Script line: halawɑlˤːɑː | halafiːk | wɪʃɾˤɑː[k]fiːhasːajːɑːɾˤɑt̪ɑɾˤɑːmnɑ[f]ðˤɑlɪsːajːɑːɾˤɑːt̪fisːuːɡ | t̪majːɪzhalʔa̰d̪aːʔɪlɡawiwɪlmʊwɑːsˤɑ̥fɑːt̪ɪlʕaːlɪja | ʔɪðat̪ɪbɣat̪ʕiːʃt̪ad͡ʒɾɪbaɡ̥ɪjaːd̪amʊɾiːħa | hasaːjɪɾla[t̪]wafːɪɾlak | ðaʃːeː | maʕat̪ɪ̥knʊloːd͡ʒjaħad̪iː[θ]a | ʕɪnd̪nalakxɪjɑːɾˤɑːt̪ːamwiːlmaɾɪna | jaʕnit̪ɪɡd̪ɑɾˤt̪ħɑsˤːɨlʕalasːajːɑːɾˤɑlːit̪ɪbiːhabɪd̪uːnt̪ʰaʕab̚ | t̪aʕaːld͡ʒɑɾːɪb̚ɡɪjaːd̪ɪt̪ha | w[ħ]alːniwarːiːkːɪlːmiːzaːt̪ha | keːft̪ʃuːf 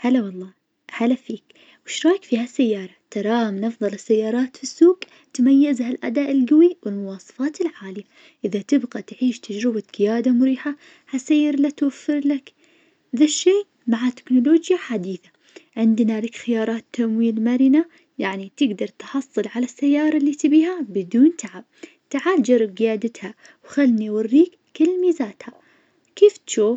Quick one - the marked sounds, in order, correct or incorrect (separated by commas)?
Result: correct, correct, correct, correct, incorrect